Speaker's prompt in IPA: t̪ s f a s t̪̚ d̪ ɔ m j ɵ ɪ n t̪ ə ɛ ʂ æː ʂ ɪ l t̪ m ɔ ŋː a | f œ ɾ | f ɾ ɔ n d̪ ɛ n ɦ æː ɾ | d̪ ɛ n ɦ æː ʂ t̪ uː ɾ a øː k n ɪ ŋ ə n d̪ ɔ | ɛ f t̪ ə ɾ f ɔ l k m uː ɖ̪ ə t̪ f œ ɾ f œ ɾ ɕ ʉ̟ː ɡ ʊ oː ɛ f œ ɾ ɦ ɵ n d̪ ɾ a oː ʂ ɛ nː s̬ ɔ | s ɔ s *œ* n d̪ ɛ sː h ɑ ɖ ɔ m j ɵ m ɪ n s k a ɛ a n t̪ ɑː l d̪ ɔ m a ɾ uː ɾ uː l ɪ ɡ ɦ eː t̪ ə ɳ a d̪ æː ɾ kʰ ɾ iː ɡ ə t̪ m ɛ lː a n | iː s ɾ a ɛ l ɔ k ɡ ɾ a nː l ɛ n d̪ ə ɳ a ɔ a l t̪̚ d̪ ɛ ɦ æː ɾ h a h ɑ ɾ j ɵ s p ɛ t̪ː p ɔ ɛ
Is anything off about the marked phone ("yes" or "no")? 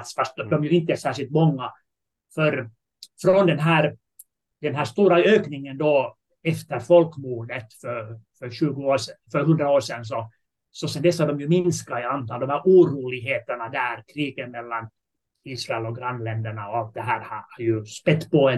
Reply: yes